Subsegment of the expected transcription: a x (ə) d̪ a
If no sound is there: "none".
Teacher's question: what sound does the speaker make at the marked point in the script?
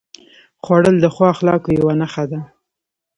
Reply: a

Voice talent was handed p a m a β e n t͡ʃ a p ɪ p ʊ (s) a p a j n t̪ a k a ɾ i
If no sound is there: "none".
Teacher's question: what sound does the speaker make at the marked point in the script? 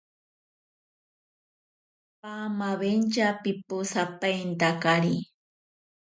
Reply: s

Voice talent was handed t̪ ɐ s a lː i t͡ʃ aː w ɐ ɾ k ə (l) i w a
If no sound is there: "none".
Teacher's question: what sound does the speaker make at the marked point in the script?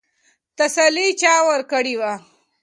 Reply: ɽ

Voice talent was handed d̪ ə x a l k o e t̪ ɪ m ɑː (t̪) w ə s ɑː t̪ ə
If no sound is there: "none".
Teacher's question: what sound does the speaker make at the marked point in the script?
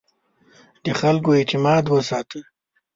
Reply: d̪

